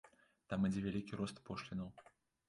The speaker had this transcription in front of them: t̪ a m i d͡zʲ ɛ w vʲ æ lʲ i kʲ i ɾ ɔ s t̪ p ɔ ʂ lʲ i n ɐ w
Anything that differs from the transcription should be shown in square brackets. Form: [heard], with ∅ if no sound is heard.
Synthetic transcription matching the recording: t̪ a m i d͡zʲ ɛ [∅] vʲ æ lʲ i kʲ i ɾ ɔ s t̪ p ɔ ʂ lʲ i n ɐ w